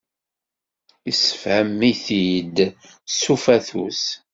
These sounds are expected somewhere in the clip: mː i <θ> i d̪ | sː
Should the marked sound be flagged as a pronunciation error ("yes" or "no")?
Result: no